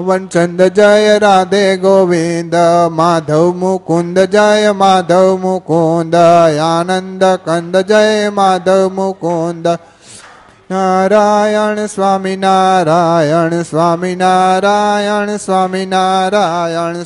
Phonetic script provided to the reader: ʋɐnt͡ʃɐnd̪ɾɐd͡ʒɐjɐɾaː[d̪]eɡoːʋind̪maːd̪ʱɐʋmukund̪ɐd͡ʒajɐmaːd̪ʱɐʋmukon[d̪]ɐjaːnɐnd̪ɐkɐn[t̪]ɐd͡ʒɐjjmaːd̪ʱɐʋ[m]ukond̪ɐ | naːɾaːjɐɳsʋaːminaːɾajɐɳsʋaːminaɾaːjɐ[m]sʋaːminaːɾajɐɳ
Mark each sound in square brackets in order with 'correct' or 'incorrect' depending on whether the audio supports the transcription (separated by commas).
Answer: correct, correct, incorrect, correct, incorrect